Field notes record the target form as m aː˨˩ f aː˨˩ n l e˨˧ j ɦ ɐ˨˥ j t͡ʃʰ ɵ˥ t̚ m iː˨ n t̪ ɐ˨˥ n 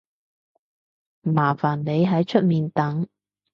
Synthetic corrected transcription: m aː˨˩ f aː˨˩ n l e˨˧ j ɦ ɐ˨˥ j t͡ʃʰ ɵ˥ t̚ m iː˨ n t̪ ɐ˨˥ ŋ